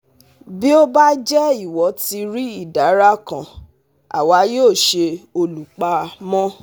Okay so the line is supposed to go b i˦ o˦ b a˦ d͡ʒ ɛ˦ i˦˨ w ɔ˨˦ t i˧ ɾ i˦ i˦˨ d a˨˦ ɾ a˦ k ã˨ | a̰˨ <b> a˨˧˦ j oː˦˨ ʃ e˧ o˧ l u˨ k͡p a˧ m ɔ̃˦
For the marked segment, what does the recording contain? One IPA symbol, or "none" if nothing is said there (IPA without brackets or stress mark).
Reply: w